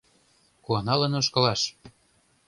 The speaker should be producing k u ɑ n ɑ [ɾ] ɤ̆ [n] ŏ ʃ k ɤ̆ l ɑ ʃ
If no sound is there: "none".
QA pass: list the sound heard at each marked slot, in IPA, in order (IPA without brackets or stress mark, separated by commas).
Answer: l, n